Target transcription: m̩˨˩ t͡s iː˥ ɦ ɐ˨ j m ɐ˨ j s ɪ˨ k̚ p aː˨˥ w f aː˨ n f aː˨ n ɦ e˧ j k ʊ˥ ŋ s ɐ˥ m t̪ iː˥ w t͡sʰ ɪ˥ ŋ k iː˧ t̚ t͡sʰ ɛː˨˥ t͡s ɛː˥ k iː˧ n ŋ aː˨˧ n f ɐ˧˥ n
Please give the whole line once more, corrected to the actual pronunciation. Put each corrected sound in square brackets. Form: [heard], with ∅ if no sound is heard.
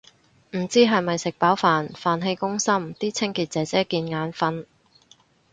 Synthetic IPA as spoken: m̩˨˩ t͡s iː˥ ɦ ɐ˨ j m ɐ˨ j s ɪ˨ k̚ p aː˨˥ w f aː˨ n f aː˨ n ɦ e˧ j k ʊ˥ ŋ s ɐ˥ m t̪ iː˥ [∅] t͡sʰ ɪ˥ ŋ k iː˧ t̚ [t͡s] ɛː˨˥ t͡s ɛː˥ k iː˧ n ŋ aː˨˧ n f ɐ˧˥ n